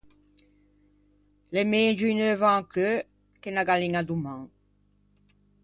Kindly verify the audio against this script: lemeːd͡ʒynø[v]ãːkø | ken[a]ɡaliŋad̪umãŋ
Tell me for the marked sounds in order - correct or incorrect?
correct, correct

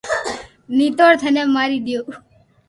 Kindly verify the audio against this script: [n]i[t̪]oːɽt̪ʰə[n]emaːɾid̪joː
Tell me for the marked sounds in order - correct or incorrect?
correct, correct, correct

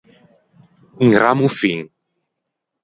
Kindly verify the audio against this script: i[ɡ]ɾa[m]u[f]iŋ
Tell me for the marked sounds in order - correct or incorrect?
incorrect, correct, correct

